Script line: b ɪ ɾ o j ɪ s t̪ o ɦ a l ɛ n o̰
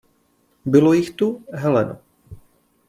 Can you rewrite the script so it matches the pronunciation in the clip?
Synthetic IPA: b ɪ l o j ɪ x t̪ u ɦ ɛ l ɛ n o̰